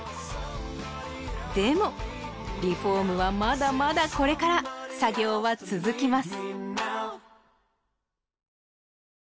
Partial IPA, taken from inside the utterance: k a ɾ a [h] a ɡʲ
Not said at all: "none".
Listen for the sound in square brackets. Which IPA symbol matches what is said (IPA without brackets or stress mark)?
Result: s